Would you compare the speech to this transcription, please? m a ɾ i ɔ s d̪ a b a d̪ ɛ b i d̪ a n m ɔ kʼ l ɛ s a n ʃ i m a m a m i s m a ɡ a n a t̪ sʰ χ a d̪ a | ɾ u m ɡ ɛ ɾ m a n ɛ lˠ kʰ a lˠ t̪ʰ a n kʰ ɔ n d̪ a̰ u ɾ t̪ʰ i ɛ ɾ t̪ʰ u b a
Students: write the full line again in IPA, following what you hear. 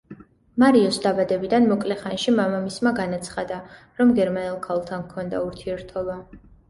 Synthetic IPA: m a ɾ i ɔ s d̪ a b a d̪ ɛ b i d̪ a n m ɔ kʼ l ɛ χ a n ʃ i m a m a m i s m a ɡ a n a t̪ sʰ χ a d̪ a | ɾ ɔ m ɡ ɛ ɾ m a n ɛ lˠ kʰ a lˠ t̪ʰ a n kʰ ɔ n d̪ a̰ u ɾ t̪ʰ i ɛ ɾ t̪ʰ ɔ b a